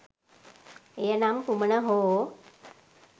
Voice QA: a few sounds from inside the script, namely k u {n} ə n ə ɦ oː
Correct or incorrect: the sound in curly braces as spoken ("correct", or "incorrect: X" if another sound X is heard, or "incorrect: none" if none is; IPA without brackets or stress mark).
incorrect: m